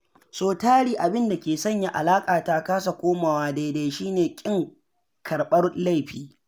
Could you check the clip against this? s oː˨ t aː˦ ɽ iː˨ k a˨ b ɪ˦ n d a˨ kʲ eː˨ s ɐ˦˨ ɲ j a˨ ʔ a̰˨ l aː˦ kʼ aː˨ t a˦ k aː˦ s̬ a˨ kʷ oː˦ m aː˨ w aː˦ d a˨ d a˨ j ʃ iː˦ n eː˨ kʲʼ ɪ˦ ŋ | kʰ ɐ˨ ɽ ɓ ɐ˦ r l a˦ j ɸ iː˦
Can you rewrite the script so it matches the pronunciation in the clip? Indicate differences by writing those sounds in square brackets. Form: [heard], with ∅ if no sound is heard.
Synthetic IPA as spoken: s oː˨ t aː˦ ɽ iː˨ [ʔ] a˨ b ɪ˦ n d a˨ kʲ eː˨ s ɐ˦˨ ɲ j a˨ ʔ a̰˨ l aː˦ kʼ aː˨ t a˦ k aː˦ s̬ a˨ kʷ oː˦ m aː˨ w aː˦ d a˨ d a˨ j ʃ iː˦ n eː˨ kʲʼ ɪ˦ ŋ | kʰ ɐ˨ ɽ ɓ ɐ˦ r l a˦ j ɸ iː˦